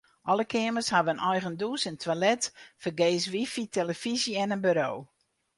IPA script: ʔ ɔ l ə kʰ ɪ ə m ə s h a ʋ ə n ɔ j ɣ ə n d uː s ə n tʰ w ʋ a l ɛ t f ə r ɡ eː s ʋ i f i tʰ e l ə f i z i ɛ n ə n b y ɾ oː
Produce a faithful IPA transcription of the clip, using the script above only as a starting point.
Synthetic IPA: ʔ ɔ l ə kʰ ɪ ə m ə s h a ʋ ə n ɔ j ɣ ə n d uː s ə n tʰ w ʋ a l ɛ t f ə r ɡ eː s ʋ i f i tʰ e l ə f i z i ɛ n ə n b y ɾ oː